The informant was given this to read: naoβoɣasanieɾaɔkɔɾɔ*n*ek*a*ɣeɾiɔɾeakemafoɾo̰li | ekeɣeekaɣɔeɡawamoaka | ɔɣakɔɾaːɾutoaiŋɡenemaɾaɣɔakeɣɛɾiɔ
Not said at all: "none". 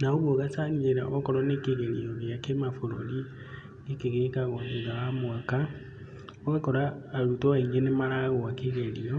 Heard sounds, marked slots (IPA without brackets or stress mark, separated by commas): n, e